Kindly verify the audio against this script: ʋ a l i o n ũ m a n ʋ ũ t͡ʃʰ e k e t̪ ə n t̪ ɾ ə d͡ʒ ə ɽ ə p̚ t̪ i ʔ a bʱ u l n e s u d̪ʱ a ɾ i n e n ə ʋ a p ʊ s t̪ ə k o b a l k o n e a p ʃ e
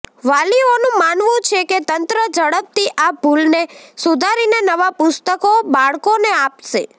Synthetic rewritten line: ʋ a l i o n ũ m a n ʋ ũ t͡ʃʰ e k e t̪ ə n t̪ ɾ ə d͡ʒ ə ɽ ə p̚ t̪ i ʔ a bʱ u l n e s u d̪ʱ a ɾ i n e n ə ʋ a p ʊ s t̪ ə k o b a ɭ k o n e a p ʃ e